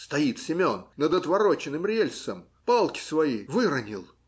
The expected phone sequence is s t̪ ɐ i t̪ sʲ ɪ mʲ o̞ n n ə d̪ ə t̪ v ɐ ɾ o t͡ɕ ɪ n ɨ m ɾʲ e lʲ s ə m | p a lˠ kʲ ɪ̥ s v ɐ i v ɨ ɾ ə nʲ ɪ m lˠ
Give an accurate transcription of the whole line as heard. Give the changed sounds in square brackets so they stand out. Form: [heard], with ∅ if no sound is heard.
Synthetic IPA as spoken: s t̪ ɐ i t̪ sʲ ɪ mʲ o̞ n n ə d̪ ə t̪ v ɐ ɾ o t͡ɕ ɪ n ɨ m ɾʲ e lʲ s ə m | p a lˠ kʲ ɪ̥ s v ɐ i v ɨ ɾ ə nʲ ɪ [∅] lˠ